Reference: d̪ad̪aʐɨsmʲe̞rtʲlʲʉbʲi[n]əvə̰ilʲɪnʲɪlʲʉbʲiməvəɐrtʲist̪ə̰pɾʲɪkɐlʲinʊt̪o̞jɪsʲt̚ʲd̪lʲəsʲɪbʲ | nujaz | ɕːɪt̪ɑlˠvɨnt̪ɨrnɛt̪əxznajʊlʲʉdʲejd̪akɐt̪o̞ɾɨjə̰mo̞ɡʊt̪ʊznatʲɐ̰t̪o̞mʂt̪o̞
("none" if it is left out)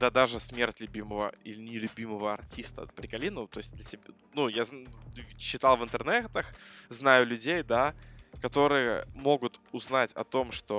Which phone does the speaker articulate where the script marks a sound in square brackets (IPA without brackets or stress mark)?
m